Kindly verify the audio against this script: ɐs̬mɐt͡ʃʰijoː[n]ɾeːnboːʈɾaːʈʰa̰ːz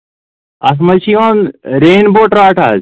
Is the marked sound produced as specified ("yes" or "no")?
yes